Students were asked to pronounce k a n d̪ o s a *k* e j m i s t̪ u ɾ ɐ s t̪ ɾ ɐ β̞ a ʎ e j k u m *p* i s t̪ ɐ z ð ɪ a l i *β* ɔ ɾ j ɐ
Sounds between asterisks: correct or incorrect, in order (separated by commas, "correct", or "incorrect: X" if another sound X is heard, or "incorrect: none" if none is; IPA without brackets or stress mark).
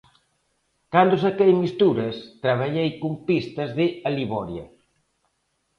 correct, correct, correct